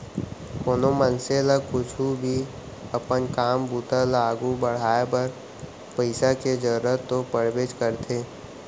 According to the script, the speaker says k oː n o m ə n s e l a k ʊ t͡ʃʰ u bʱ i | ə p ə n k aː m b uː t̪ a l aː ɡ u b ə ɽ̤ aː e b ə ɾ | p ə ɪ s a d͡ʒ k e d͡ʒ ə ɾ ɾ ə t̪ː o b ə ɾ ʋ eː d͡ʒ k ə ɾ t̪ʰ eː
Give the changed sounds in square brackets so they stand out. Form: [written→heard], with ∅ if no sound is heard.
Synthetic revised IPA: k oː n o m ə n s e l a k ʊ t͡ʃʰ u bʱ i | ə p ə n k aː m b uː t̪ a l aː ɡ u b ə ɽ̤ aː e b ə ɾ | p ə ɪ s a [d͡ʒ→∅] k e d͡ʒ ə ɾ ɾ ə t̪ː o [b→p] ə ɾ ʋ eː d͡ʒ k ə ɾ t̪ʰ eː

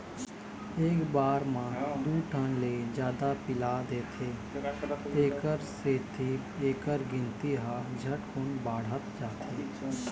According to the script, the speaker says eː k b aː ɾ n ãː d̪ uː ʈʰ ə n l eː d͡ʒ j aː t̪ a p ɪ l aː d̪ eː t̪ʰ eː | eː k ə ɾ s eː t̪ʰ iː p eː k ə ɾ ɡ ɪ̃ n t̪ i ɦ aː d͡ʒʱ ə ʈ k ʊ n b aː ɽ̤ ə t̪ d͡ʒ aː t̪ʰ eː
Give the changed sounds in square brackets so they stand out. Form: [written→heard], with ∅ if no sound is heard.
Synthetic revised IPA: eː k b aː ɾ [n→m] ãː d̪ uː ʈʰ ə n l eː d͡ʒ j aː [t̪→d̪] a p ɪ l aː d̪ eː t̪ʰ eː | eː k ə ɾ s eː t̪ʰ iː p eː k ə ɾ ɡ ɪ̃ n t̪ i ɦ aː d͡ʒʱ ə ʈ k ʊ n b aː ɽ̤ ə t̪ d͡ʒ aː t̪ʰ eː

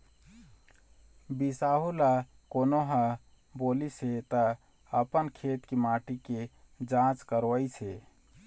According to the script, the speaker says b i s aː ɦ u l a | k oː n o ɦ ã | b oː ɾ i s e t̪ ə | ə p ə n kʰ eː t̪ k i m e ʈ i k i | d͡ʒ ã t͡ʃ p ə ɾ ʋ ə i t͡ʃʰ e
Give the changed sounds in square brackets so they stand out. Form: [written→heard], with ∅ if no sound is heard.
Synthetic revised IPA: b i s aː ɦ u l a | k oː n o ɦ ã | b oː [ɾ→l] i s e t̪ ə | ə p ə n kʰ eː t̪ k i m [e→a] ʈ i k [i→e] | d͡ʒ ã t͡ʃ [p→k] ə ɾ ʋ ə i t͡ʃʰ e

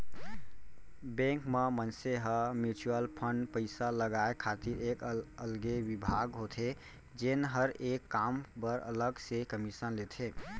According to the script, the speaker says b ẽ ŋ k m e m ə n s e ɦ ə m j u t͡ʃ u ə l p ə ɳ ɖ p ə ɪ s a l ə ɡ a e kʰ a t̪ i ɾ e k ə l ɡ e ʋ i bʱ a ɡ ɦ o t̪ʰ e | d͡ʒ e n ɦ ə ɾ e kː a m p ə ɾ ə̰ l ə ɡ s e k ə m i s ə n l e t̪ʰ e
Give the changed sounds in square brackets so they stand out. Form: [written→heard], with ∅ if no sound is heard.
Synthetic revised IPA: b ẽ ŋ k m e m ə n s e ɦ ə m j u t͡ʃ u ə l [p→pʰ] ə ɳ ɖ p ə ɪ s a l ə ɡ a e kʰ a t̪ i ɾ e k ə l ɡ e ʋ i bʱ a ɡ ɦ o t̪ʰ e | d͡ʒ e n ɦ ə ɾ e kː a m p ə ɾ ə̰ l ə ɡ s e k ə m i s ə n l e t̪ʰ e

